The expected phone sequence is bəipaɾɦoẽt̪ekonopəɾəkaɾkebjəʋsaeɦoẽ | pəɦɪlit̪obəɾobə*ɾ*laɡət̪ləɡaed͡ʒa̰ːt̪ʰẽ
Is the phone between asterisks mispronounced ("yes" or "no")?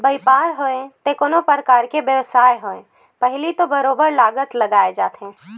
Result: no